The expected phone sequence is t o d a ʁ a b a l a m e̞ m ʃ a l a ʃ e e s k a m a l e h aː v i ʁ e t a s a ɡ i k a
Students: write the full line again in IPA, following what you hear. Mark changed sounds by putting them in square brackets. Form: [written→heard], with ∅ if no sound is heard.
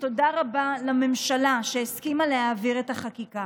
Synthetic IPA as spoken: t o d a ʁ a b a l a m e̞ m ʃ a l a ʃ e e s k [a→i] m a l e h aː v i ʁ e t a [s→χ] a [ɡ→k] i k a